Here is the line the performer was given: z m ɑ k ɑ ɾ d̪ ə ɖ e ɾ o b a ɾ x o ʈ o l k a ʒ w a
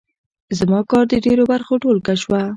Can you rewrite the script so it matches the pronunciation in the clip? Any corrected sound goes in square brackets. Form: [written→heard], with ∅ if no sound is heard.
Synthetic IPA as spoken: z m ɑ k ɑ ɾ d̪ ə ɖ e ɾ o b a ɾ x o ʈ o l k a [ʒ→ʃ] w a

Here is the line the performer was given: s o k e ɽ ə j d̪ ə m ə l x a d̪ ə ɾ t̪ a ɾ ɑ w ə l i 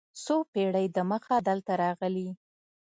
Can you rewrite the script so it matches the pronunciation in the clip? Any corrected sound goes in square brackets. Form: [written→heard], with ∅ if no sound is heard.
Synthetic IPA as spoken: s o [k→p] e ɽ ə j d̪ ə m ə [l→∅] x a d̪ ə [ɾ→l] t̪ a ɾ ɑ [w→ɣ] ə l i

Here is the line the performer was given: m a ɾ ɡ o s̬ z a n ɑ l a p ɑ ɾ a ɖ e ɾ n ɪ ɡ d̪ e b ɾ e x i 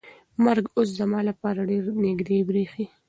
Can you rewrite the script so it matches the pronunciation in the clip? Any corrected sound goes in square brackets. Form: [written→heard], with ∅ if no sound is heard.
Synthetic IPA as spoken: m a ɾ ɡ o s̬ z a [n→m] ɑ l a p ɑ ɾ a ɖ e ɾ n ɪ ɡ d̪ e b ɾ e x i

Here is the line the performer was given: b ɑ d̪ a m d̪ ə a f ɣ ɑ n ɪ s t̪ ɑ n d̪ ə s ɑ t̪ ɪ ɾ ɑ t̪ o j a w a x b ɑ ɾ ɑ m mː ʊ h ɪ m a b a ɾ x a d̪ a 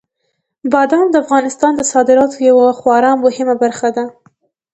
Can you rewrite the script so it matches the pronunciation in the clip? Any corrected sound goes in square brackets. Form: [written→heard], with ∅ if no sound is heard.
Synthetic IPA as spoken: b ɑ d̪ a m d̪ ə a f ɣ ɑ n ɪ s t̪ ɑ n d̪ ə s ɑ [t̪→d̪] ɪ ɾ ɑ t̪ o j a w a x [b→w] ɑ ɾ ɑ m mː ʊ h ɪ m a b a ɾ x a d̪ a

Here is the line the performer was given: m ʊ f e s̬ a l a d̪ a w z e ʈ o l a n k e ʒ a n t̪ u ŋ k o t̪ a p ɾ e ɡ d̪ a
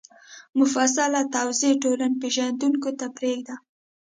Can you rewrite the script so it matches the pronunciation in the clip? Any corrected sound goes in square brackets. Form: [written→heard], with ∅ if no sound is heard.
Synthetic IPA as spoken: m ʊ f [e→a] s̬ a l a [d̪→t̪] a w z e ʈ o l a n [k→p] e ʒ a n [t̪→d̪] u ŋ k o t̪ a p ɾ e ɡ d̪ a

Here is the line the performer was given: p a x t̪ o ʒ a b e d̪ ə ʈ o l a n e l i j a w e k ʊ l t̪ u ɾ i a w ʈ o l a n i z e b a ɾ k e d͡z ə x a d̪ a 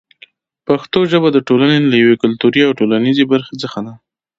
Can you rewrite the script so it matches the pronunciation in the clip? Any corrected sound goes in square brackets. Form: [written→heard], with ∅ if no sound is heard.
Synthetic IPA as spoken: p a x t̪ o ʒ [a→ə] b [e→a] d̪ ə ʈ o l a n e l [i→a] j a w e k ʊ l t̪ u ɾ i a w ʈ o l a n i z e b a ɾ [k→x] e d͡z ə x a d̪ a

